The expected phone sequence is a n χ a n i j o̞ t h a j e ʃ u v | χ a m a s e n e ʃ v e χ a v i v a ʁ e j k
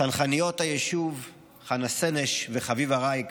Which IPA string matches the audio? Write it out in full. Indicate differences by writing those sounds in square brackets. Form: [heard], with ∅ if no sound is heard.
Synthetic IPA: a n χ a n i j o̞ t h a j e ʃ u v | χ a [n] a s e n e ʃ v e χ a v i v a ʁ [a] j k